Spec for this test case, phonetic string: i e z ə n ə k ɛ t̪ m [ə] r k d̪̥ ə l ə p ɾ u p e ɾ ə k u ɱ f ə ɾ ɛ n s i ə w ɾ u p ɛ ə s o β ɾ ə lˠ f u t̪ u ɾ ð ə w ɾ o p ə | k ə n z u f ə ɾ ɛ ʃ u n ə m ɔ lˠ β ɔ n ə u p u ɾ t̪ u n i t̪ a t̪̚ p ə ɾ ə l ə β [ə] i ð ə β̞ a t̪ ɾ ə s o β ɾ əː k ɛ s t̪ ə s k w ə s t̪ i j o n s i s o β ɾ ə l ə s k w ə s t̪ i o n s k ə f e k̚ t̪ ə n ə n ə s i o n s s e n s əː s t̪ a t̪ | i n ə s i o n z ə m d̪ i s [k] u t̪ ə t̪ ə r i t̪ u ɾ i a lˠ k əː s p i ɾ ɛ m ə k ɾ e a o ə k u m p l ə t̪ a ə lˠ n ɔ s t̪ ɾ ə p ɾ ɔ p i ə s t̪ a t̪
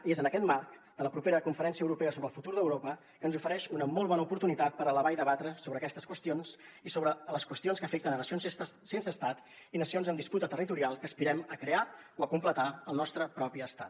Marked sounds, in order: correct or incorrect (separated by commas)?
incorrect, incorrect, incorrect